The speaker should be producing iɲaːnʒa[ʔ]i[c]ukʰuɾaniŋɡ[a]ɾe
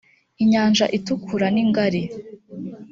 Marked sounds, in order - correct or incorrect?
correct, incorrect: t, correct

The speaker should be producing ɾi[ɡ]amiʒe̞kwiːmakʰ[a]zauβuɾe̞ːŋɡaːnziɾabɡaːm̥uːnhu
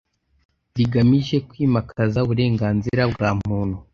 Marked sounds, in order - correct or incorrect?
correct, correct

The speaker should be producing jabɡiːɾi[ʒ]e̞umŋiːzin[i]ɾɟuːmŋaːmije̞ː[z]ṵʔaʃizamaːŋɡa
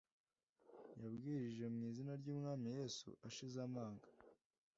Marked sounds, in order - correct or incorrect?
correct, incorrect: a, incorrect: s

